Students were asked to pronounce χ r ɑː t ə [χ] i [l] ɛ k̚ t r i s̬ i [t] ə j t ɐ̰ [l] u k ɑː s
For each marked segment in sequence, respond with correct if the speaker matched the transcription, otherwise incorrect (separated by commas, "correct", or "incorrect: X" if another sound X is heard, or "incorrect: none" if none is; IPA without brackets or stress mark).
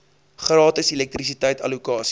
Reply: incorrect: s, correct, correct, correct